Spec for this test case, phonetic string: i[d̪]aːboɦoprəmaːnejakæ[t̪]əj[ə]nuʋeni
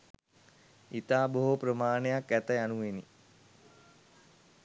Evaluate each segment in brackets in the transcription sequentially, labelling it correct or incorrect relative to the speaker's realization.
incorrect: t̪, correct, incorrect: a

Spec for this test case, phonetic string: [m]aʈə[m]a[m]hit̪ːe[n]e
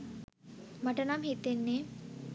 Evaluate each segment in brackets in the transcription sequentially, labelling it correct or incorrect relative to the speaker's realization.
correct, incorrect: n, correct, incorrect: nː

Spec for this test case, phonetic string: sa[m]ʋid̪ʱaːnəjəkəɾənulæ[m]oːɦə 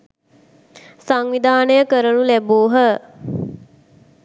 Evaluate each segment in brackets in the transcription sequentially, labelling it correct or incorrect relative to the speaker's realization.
incorrect: ŋ, incorrect: b

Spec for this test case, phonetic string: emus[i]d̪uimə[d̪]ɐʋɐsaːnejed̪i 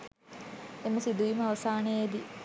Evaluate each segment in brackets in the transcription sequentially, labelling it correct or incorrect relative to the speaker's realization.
correct, incorrect: none

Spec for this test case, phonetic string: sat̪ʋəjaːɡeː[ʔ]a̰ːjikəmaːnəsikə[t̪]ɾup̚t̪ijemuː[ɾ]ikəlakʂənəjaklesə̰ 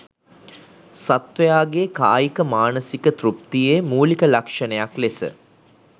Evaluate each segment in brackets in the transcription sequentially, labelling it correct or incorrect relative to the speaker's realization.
incorrect: k, correct, incorrect: l

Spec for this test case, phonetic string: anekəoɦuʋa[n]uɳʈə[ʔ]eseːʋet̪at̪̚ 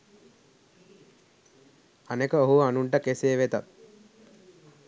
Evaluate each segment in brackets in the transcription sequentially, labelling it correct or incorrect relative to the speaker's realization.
correct, incorrect: k

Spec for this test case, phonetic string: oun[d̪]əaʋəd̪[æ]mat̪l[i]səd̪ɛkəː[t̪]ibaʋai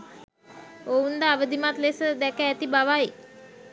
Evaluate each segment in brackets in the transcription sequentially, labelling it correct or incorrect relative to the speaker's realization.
correct, incorrect: i, incorrect: e, correct

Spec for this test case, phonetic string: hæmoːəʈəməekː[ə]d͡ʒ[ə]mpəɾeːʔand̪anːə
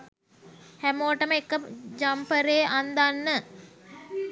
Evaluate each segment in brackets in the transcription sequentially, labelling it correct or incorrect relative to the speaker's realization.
correct, incorrect: a

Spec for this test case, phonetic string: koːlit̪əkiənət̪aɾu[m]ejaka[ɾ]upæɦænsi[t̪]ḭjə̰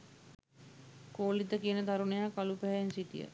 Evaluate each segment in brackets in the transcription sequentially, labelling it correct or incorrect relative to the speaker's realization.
incorrect: n, incorrect: l, correct

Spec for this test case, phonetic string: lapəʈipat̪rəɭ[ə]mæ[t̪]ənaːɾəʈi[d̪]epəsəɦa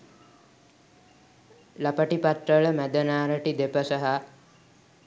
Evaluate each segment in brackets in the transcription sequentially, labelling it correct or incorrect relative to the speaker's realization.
correct, incorrect: d̪, correct

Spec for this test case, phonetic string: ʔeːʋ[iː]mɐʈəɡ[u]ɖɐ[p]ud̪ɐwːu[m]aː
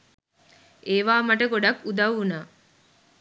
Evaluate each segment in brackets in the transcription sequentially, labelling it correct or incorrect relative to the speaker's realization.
incorrect: aː, incorrect: o, incorrect: k, incorrect: n

